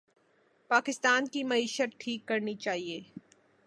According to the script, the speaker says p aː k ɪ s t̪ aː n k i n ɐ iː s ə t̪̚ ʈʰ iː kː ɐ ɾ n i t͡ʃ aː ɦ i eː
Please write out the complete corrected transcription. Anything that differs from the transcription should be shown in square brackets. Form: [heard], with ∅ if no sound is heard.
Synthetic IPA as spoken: p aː k ɪ s t̪ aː n k i [m] ɐ iː [ʃ] ə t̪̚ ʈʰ iː kː ɐ ɾ n i t͡ʃ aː ɦ i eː